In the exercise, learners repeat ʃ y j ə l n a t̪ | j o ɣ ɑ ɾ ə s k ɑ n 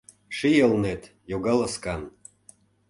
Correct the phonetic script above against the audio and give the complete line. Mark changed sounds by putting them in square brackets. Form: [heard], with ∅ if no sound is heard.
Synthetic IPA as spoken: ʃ [i] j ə l n [e] t̪ | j o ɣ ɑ [l] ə s k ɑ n

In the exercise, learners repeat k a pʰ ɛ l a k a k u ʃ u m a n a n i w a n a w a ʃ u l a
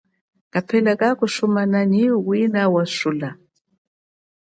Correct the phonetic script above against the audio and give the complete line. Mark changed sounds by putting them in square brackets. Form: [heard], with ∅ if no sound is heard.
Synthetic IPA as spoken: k a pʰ ɛ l a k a k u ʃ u m a n a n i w [i] n a w a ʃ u l a

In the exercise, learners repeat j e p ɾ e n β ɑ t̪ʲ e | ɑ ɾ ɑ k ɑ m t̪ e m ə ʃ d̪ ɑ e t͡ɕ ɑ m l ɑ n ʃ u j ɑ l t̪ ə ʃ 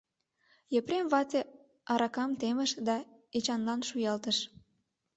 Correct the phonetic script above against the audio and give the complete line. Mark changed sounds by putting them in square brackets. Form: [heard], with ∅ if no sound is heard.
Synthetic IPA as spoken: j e p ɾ e [m] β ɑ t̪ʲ e | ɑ ɾ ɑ k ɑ m t̪ e m ə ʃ d̪ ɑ e t͡ɕ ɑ [n] l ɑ n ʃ u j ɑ l t̪ ə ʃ

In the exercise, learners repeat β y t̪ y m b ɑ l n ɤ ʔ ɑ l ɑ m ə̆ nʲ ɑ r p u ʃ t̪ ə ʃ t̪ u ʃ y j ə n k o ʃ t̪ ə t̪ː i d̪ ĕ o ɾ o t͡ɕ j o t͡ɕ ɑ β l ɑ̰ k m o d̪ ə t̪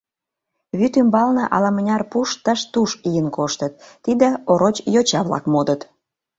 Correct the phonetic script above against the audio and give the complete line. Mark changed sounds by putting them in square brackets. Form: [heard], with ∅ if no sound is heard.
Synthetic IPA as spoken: β y t̪ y m b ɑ l n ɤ ʔ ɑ l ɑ m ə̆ nʲ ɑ r p u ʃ t̪ ə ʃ t̪ u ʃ [i] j ə n k o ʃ t̪ ə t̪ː i d̪ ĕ o ɾ o t͡ɕ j o t͡ɕ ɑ β l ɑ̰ k m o d̪ ə t̪

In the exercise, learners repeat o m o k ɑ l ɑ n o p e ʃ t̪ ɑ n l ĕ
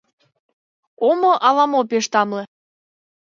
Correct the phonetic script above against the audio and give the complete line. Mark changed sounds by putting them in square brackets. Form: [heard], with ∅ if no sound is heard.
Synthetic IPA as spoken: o m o [ʔ] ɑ l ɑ [m] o p e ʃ t̪ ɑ [m] l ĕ

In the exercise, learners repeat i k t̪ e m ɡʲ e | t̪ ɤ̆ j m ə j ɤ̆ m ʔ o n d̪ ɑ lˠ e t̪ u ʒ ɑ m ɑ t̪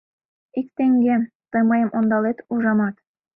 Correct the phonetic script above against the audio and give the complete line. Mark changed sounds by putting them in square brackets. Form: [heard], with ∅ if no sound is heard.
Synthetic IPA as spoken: i k t̪ e [ŋ] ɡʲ e | t̪ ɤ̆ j m [ɑ] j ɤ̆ m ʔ o n d̪ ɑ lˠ e t̪ u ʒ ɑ m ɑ t̪

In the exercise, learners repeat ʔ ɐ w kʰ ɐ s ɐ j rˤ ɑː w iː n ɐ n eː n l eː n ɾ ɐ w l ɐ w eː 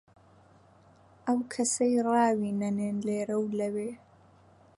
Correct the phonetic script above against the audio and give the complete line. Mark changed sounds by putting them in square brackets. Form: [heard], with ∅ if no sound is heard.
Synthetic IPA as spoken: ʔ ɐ w kʰ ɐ s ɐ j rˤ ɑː w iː n ɐ n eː n l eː [∅] ɾ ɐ w l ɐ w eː

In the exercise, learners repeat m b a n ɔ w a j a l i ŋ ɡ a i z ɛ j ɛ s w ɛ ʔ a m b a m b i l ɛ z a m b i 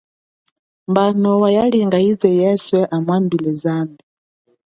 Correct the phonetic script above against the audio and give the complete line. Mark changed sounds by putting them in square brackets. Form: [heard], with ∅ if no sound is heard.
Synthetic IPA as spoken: m b a n ɔ w a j a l i ŋ ɡ a i z ɛ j ɛ s w ɛ ʔ a m [w] a m b i l ɛ z a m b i

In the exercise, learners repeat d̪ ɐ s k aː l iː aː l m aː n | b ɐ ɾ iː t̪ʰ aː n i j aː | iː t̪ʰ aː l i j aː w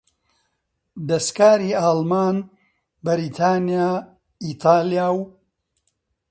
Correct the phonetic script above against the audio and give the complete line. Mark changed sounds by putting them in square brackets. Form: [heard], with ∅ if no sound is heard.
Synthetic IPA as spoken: d̪ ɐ s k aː [ɾ] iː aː l m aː n | b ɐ ɾ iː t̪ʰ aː n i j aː | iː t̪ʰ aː l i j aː w

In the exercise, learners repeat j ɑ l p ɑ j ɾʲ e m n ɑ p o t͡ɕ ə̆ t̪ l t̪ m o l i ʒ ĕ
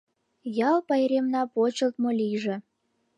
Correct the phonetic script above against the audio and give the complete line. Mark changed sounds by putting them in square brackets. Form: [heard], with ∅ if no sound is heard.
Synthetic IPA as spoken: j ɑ l p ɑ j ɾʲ e m n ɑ p o t͡ɕ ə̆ [∅] l t̪ m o l i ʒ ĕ

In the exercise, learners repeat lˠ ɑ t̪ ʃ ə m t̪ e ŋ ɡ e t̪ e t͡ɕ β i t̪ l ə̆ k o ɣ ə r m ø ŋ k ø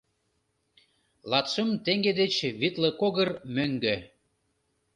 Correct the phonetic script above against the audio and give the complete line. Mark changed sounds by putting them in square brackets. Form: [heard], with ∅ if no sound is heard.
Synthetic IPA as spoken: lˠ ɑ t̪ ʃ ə m t̪ e ŋ ɡ e [d̪] e t͡ɕ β i t̪ l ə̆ k o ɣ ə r m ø ŋ [ɡ] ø

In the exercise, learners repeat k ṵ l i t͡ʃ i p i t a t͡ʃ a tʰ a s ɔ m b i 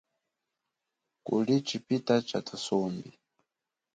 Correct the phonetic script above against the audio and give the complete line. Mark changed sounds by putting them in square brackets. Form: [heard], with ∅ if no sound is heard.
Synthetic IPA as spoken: k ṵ l i t͡ʃ i p i t a t͡ʃ a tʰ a s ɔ m b i

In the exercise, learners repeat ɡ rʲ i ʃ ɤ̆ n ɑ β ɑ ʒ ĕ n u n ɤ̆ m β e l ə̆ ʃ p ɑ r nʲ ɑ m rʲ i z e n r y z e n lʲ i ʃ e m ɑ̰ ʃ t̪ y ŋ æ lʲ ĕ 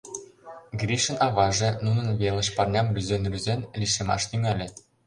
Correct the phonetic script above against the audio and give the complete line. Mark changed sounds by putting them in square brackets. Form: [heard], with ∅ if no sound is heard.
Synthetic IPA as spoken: ɡ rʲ i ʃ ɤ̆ n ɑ β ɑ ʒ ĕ n u n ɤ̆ [n] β e l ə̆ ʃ p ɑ r nʲ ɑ m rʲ [y] z e n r y z e n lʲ i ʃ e m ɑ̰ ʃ t̪ y ŋ æ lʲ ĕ

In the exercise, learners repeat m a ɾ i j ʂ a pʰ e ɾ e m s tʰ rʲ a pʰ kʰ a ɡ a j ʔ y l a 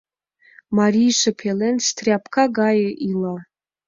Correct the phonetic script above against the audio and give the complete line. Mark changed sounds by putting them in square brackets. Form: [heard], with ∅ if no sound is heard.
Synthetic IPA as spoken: m a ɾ i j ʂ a pʰ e [l] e [n] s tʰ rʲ a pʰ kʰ a ɡ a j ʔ [i] l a

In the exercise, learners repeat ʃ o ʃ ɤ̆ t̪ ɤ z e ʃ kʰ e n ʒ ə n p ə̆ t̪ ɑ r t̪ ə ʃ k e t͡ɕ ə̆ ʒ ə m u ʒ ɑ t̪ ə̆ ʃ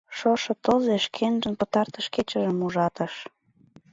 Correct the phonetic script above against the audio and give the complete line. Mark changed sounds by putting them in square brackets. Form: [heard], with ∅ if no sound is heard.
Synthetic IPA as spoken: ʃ o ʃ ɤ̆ t̪ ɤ z e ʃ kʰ e n ʒ ə n p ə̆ t̪ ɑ r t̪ ə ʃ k e t͡ɕ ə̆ ʒ ə m u ʒ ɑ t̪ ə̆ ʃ

